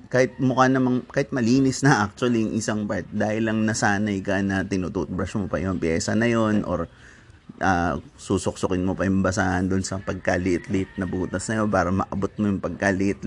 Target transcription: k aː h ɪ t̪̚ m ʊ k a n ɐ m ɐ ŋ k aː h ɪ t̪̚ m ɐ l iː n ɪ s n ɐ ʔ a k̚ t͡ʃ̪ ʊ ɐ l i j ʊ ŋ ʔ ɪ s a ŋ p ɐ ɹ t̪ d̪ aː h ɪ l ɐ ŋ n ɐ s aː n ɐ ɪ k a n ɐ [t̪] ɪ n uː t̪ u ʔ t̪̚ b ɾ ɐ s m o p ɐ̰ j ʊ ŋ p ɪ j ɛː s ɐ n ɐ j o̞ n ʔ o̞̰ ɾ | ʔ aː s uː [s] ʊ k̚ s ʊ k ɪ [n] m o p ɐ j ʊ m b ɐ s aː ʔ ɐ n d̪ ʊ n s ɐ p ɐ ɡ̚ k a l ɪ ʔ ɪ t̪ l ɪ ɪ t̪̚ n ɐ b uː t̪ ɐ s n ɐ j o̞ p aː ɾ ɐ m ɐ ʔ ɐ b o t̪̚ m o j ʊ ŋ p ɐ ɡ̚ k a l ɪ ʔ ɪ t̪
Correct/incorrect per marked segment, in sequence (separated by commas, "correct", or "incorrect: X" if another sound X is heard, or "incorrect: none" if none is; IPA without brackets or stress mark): correct, correct, correct